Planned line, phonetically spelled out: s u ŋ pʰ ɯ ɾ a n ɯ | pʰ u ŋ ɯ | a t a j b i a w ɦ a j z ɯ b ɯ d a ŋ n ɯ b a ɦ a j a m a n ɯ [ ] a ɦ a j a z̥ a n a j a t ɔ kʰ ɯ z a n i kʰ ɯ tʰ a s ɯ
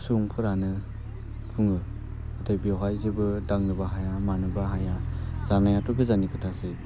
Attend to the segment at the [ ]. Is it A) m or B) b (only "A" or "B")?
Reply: B